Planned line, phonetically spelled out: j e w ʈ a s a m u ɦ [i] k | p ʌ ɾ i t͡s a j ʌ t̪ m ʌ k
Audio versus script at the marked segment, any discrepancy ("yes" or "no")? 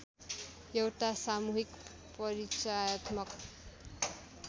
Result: no